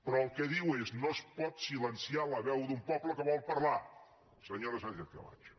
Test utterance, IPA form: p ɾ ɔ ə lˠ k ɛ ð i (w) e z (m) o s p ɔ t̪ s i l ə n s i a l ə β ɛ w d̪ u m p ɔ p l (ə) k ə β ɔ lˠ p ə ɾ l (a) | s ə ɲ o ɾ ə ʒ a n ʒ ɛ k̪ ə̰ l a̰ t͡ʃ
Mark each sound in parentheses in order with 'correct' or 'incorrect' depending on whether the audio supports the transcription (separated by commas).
correct, incorrect, correct, correct